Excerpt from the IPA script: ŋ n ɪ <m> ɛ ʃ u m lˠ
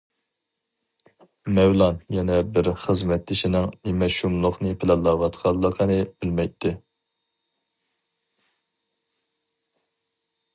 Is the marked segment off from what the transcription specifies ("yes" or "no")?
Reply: no